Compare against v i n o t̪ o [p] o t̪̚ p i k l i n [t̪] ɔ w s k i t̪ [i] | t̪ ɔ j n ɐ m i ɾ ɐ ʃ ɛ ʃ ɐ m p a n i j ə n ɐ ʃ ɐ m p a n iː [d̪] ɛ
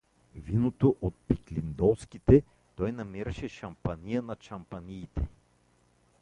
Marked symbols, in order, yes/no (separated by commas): no, no, no, no